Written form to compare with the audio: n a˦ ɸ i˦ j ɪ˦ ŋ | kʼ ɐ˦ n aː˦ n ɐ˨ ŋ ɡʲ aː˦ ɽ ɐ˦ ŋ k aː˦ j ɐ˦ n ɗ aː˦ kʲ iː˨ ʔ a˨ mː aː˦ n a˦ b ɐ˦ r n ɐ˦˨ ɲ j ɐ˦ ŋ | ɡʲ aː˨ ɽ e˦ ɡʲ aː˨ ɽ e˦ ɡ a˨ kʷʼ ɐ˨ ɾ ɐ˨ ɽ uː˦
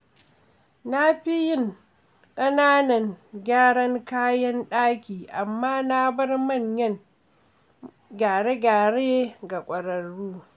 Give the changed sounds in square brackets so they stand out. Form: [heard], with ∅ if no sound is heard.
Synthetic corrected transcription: n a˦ ɸ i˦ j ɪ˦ ŋ | kʼ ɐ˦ n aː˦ n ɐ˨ ŋ ɡʲ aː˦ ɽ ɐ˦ ŋ k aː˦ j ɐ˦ n ɗ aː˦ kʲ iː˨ ʔ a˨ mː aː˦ n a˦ b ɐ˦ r [m] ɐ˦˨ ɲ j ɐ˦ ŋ | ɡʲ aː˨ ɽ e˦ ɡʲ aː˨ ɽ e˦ ɡ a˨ kʷʼ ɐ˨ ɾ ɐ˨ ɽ uː˦

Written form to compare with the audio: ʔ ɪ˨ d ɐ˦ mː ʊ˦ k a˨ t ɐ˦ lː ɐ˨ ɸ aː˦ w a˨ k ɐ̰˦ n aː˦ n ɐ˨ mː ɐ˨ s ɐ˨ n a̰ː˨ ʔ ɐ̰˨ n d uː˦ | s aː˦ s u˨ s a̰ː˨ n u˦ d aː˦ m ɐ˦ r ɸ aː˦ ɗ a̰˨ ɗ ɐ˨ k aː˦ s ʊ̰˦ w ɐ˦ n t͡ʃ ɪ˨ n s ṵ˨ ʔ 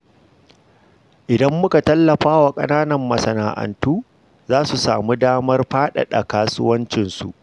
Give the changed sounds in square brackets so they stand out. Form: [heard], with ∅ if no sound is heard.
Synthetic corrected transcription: ʔ ɪ˨ d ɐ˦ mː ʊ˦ k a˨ t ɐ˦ lː ɐ˨ ɸ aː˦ w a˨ [kʼ] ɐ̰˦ n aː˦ n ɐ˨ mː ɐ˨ s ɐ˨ n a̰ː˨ ʔ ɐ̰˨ n [t] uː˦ | [z] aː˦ s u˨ s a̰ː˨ [m] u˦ d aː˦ m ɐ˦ r ɸ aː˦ ɗ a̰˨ ɗ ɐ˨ k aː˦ s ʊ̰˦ w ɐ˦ n t͡ʃ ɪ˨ n s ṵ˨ ʔ

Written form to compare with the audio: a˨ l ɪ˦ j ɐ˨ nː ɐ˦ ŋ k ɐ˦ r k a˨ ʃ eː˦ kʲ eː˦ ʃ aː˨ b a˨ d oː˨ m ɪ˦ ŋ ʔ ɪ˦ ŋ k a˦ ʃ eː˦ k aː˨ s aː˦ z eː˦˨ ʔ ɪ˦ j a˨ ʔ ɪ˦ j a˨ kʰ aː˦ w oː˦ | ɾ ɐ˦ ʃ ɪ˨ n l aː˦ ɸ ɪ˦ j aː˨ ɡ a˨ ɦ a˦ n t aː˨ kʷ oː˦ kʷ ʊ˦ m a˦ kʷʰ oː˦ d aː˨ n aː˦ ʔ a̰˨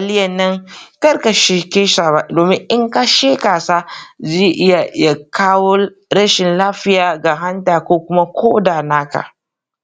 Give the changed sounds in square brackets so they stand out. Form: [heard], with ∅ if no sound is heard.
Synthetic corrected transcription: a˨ l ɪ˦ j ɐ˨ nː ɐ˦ ŋ k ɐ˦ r k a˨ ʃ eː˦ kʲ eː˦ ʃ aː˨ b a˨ d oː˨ m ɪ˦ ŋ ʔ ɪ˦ ŋ k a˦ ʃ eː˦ k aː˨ s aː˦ z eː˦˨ ʔ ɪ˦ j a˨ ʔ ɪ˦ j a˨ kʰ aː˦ w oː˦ | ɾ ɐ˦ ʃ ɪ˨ n l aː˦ ɸ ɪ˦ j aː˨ ɡ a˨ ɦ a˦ n t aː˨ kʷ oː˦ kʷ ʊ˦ m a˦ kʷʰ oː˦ d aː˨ n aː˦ [k] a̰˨

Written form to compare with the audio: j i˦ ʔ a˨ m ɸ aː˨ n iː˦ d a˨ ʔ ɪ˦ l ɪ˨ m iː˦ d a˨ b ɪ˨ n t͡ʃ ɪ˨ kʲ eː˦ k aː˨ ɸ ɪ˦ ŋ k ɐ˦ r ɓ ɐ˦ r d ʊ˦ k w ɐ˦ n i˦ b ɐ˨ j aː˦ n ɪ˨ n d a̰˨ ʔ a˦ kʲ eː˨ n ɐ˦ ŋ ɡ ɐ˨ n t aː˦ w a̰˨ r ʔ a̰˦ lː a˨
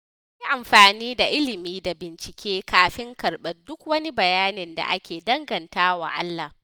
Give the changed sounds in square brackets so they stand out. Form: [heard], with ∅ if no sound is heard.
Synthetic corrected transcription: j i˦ ʔ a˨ m ɸ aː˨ n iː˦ d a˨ ʔ ɪ˦ l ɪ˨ m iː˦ d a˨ b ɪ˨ n t͡ʃ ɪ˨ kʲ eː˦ k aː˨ ɸ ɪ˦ ŋ k [ɐ˨] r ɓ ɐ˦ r d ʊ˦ k w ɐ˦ n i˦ b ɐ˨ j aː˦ n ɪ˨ n d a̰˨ ʔ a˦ kʲ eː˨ [d] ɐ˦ ŋ ɡ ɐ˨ n t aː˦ w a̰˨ [∅] ʔ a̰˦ lː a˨

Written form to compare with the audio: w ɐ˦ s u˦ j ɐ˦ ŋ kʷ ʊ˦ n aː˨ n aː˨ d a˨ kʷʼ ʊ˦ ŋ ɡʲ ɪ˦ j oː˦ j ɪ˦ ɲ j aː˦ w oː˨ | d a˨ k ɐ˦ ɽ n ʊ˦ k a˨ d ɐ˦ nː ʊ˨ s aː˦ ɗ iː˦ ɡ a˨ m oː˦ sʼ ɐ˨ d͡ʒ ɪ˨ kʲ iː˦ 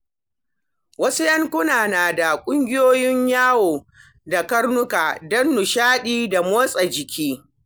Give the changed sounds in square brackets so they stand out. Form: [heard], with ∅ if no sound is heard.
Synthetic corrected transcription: w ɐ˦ s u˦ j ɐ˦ ŋ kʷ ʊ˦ n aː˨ n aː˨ d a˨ kʷʼ ʊ˦ ŋ ɡʲ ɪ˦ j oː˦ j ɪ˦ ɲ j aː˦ w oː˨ | d a˨ k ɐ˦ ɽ n ʊ˦ k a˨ d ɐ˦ nː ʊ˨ [ʃ] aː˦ ɗ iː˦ [d] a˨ m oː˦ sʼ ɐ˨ d͡ʒ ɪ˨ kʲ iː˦

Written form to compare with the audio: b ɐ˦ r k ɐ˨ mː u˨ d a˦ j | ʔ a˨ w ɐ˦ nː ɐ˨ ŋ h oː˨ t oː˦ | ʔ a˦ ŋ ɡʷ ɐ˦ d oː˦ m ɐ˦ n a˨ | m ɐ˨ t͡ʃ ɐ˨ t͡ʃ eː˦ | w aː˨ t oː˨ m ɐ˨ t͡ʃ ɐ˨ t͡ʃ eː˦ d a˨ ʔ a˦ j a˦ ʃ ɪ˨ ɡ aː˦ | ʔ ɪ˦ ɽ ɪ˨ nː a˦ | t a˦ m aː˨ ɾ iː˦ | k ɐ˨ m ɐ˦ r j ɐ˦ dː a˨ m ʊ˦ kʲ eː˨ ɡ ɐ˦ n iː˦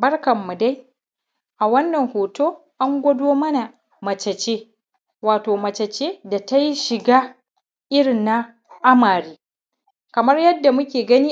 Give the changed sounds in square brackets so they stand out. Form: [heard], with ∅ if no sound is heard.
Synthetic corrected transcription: b ɐ˦ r k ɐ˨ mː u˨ d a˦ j | ʔ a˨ w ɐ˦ nː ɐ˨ ŋ h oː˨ t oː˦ | ʔ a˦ ŋ ɡʷ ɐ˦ d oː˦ m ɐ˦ n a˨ | m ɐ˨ t͡ʃ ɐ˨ t͡ʃ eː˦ | w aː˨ t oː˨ m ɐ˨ t͡ʃ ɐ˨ t͡ʃ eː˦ d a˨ [t] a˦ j [i˦] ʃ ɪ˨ ɡ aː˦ | ʔ ɪ˦ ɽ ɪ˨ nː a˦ | [ʔ] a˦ m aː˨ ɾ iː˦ | k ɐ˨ m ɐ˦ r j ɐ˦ dː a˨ m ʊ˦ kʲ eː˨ ɡ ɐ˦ n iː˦

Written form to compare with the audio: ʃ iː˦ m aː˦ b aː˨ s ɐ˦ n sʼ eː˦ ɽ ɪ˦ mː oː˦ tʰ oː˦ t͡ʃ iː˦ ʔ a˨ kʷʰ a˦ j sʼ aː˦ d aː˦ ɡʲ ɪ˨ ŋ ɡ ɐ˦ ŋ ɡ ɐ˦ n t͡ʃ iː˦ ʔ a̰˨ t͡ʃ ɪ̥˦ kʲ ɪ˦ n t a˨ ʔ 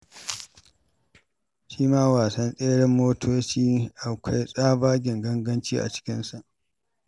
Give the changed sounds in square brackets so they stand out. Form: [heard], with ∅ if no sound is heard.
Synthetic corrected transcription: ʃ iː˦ m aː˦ [w] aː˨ s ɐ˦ n sʼ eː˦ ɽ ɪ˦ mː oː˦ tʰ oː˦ t͡ʃ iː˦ ʔ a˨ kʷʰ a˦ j sʼ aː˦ [b] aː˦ ɡʲ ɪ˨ ŋ ɡ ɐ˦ ŋ ɡ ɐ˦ n t͡ʃ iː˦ ʔ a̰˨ t͡ʃ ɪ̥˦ kʲ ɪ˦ n [s] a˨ ʔ

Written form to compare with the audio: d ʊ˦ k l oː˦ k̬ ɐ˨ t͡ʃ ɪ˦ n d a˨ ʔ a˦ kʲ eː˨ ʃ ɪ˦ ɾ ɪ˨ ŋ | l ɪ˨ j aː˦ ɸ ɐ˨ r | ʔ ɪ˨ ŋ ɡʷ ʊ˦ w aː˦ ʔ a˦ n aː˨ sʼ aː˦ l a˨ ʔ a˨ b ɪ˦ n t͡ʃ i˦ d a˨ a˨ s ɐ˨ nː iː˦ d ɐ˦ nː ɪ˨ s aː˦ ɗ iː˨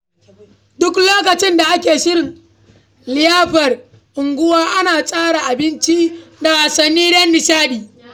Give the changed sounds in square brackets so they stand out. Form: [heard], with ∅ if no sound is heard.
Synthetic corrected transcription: d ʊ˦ k l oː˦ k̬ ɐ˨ t͡ʃ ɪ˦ n d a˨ ʔ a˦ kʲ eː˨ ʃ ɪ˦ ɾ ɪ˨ ŋ | l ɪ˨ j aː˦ ɸ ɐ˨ r | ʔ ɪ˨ ŋ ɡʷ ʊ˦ w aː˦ ʔ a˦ n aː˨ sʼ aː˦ [ɽ] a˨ ʔ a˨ b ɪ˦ n t͡ʃ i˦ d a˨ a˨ s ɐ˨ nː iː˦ d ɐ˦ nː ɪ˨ s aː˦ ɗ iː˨

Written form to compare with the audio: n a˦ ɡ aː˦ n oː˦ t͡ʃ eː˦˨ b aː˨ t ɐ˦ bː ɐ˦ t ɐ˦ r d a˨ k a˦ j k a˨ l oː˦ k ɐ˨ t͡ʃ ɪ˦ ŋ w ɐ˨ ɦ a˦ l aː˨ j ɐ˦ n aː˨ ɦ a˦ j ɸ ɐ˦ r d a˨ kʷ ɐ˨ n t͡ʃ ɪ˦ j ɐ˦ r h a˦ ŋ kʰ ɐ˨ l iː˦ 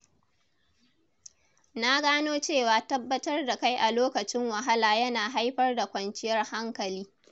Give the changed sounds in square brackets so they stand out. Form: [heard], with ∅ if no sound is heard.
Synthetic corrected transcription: n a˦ ɡ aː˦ n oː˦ t͡ʃ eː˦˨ [w] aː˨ t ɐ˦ bː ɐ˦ t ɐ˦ r d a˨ k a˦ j [ʔ] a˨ l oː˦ k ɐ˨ t͡ʃ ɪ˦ ŋ w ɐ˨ ɦ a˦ l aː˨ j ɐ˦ n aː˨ ɦ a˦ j ɸ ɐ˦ r d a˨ kʷ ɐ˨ n t͡ʃ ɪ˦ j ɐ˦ r h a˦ ŋ [k] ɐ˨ l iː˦

